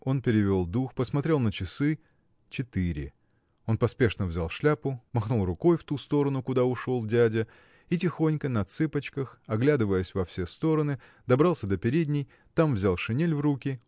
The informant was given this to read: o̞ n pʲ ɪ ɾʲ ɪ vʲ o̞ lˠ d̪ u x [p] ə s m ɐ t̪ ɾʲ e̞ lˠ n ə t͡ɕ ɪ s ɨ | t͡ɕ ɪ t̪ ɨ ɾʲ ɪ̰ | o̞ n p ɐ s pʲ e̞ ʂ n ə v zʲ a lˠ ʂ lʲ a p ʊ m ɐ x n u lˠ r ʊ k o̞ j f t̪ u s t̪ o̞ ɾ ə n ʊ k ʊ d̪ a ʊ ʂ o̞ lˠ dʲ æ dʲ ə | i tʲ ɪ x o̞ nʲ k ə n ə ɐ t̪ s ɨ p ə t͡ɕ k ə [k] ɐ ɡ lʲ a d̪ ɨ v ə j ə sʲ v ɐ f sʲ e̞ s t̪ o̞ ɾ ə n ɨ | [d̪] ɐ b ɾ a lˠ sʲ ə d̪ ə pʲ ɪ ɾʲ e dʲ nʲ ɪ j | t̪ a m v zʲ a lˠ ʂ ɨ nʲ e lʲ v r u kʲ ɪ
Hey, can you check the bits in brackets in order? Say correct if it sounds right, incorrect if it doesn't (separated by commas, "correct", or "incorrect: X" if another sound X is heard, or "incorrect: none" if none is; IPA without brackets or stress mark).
correct, incorrect: x, correct